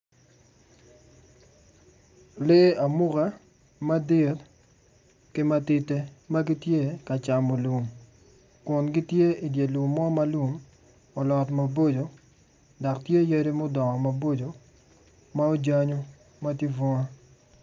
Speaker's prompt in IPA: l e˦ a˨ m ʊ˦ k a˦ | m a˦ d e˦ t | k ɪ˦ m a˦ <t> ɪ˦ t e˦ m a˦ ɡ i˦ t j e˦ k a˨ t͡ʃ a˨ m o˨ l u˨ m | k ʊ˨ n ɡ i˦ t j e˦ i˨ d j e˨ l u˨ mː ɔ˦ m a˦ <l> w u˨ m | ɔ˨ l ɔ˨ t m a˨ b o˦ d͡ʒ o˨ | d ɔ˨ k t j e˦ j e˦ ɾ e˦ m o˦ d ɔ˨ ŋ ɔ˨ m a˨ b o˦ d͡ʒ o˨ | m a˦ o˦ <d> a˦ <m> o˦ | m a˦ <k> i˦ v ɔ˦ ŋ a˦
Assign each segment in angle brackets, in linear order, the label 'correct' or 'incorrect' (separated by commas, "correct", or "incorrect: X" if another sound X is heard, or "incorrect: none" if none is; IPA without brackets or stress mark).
correct, correct, incorrect: d͡ʒ, incorrect: ɲ, incorrect: t